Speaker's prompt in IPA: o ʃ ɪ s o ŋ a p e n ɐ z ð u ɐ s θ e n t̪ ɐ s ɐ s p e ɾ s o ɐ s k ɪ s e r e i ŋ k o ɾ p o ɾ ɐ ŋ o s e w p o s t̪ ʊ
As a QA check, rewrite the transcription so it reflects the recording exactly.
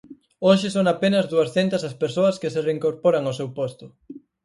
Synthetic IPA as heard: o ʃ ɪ s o ŋ a p e n ɐ z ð u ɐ s θ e n t̪ ɐ s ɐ s p e ɾ s o ɐ s k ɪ s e r e i ŋ k o ɾ p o ɾ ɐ ŋ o s e w p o s t̪ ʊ